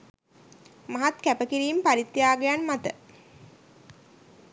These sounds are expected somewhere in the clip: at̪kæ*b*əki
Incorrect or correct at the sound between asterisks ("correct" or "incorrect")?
incorrect